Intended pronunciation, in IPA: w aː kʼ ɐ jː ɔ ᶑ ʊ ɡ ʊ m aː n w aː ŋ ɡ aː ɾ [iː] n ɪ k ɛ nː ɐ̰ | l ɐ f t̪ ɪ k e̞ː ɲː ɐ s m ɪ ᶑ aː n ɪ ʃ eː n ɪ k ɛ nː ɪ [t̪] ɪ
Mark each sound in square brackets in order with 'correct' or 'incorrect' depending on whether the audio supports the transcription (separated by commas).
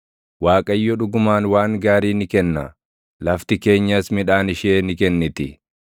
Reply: correct, correct